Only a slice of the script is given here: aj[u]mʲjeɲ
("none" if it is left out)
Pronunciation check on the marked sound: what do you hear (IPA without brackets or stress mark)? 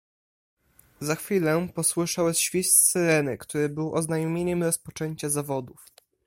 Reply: ɔ